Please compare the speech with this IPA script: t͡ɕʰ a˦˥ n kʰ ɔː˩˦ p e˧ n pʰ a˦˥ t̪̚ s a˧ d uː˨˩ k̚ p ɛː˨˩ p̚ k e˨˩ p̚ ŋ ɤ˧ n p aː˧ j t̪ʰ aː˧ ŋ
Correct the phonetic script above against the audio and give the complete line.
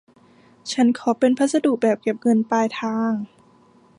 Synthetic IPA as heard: t͡ɕʰ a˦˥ n kʰ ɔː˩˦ p e˧ n pʰ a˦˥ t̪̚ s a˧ d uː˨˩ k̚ b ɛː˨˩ p̚ k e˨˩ p̚ ŋ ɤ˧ n p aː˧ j t̪ʰ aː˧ ŋ